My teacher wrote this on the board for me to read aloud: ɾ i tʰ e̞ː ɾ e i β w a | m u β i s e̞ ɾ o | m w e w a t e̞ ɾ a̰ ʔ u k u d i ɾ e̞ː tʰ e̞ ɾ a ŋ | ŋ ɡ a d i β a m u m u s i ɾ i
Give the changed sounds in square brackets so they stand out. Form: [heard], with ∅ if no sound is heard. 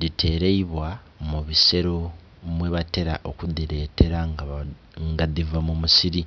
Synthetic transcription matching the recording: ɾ i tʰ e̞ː ɾ e i β w a | m u β i s e̞ ɾ o | m w e [β] a t e̞ ɾ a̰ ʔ [o] k u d i ɾ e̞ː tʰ e̞ ɾ a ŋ | ŋ ɡ a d i [v] a m u m u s i ɾ i